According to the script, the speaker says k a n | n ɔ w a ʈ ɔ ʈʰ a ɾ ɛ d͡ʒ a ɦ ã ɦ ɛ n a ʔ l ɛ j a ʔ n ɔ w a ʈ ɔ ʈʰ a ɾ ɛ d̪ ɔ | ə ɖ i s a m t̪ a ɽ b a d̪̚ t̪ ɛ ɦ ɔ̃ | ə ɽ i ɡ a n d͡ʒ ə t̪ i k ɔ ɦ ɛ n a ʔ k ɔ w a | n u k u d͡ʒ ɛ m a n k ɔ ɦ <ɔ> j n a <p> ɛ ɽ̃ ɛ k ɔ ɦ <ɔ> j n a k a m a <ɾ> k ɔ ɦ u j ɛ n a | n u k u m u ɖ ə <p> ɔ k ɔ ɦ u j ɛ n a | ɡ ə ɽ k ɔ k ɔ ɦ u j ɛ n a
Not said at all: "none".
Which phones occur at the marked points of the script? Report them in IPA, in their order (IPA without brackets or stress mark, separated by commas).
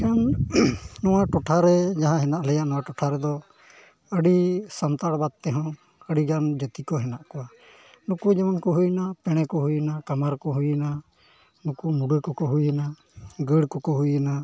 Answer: u, p, u, ɾ, k